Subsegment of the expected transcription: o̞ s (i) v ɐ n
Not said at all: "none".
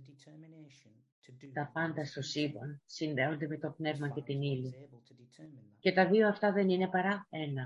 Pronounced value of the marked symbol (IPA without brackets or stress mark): i